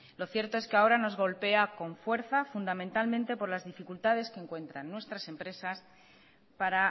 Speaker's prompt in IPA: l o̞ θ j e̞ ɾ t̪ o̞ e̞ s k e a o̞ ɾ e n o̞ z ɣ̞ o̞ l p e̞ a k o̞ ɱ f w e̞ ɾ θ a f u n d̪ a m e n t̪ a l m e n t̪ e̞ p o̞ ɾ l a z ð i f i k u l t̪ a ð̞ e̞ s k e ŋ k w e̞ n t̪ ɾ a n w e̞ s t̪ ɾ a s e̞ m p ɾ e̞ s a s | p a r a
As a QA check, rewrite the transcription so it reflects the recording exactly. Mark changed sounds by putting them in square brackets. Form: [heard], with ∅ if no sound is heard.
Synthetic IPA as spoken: l o̞ θ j e̞ ɾ t̪ o̞ e̞ s k e a o̞ ɾ [a] n o̞ z ɣ̞ o̞ l p e̞ a k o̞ ɱ f w e̞ ɾ θ a f u n d̪ a m [ẽ] n t̪ a l m [ẽ] n t̪ e̞ p o̞ ɾ l a z ð i f i k u l t̪ a ð̞ e̞ s k e ŋ k w e̞ n t̪ ɾ a [nː] w e̞ s t̪ ɾ a s e̞ m p ɾ e̞ s a s | p a [ɾ] a